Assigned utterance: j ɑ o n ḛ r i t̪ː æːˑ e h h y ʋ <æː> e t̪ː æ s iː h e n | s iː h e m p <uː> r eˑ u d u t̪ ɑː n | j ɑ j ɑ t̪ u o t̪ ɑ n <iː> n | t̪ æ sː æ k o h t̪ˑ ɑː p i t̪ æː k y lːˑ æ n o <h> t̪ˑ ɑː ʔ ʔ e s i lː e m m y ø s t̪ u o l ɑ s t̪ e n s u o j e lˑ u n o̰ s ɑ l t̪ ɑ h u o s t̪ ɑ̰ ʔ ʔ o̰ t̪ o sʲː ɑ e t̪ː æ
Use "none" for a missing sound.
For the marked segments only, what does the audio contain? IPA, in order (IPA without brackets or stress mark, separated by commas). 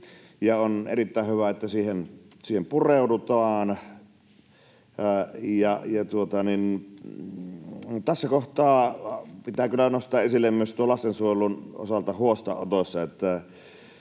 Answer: æ, u, i, s